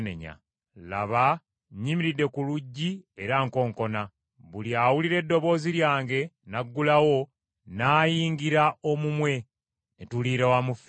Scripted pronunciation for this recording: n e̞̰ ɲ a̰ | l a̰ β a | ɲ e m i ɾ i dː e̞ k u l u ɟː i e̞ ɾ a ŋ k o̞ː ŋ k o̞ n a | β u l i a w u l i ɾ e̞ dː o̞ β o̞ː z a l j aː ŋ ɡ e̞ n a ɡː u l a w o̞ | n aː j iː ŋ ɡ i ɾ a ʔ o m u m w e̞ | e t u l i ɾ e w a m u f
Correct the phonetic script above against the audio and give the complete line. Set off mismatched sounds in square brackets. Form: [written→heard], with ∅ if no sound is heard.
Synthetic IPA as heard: n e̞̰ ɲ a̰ | l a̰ β a | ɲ [e→i] m i ɾ i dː e̞ k u l u ɟː i e̞ ɾ a ŋ k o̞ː ŋ k o̞ n a | β u l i a w u l i ɾ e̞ dː o̞ β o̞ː z [a→i] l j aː ŋ ɡ e̞ n a ɡː u l a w o̞ | n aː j iː ŋ ɡ i ɾ a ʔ o m u m w e̞ | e t u l i ɾ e w a m u f